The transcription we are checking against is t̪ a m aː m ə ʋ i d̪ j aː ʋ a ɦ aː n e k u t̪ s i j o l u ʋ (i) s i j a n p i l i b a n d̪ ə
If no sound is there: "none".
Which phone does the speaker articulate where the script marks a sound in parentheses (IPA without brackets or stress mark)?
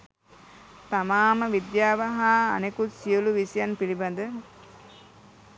i